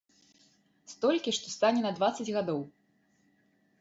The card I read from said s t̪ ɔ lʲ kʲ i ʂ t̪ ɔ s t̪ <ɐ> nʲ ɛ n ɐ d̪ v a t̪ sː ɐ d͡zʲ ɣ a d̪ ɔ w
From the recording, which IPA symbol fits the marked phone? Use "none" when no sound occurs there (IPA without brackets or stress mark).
a